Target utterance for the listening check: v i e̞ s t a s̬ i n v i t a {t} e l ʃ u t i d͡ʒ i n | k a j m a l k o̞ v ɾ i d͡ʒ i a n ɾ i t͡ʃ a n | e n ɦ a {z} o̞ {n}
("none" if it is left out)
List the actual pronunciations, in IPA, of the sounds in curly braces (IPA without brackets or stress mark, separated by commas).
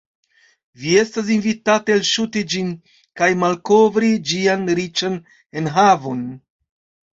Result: t, v, n